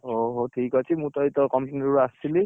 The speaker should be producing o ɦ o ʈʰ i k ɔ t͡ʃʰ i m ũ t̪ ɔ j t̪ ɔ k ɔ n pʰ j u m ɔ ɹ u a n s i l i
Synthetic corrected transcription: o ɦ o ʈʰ i k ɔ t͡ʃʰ i m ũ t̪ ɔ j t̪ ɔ k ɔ m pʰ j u n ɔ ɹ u a s i l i